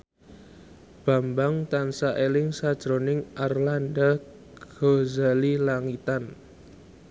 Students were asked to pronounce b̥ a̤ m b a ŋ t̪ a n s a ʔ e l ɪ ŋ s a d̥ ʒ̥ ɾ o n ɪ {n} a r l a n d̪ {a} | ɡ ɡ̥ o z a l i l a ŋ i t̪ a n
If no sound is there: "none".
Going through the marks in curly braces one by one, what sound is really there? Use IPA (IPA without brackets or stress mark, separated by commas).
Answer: ŋ, a